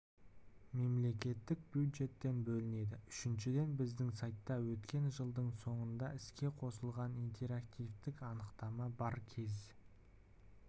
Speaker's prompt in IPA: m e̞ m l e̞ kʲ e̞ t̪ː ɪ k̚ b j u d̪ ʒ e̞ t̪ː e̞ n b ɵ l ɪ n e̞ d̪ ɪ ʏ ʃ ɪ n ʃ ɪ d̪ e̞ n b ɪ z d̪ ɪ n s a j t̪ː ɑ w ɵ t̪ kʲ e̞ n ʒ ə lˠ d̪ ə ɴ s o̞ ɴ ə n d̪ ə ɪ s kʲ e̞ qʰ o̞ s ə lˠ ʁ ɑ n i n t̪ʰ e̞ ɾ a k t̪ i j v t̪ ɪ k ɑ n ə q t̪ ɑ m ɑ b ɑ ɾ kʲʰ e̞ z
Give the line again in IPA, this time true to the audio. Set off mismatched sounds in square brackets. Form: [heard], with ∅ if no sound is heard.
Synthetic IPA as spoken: m e̞ m l e̞ kʲ e̞ t̪ː ɪ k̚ b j u d̪ ʒ e̞ t̪ː e̞ n b ɵ l ɪ n e̞ d̪ ɪ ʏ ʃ ɪ n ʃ ɪ d̪ e̞ n b ɪ z d̪ ɪ [ŋ] s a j t̪ː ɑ w ɵ t̪ kʲ e̞ n ʒ ə lˠ d̪ ə ɴ s o̞ ɴ ə n d̪ [ɑ] ɪ s kʲ e̞ qʰ o̞ s ə lˠ ʁ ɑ n i n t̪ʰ e̞ ɾ a k t̪ i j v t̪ ɪ k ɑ n ə q t̪ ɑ m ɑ b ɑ ɾ kʲʰ e̞ z